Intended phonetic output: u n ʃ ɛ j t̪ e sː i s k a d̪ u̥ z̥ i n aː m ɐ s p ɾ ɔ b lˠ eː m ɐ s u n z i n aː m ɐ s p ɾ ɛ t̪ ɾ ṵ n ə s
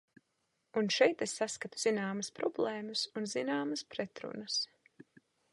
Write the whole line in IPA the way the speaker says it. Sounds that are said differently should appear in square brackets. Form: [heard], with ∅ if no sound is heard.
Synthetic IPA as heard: u n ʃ ɛ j t̪ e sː [a] s k a [t̪] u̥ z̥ i n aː m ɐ s p ɾ ɔ b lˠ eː m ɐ s u n z i n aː m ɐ s p ɾ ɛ t̪ ɾ ṵ n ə s